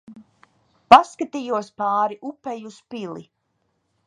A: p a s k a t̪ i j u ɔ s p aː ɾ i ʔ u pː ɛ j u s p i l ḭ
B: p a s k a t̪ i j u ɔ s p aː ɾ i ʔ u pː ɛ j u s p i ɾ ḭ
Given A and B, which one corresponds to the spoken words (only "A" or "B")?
A